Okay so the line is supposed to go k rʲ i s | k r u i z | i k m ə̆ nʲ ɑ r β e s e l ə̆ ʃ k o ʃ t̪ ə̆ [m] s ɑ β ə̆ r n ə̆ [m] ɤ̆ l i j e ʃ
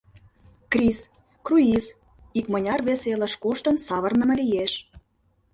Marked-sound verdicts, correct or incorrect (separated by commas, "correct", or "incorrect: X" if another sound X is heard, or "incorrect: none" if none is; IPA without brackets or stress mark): incorrect: n, correct